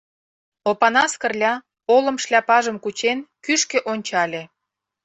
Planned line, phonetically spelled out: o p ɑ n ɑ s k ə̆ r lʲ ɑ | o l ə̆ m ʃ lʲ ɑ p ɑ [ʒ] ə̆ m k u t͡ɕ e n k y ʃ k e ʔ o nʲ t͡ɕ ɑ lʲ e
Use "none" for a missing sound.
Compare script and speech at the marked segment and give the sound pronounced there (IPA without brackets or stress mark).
ʒ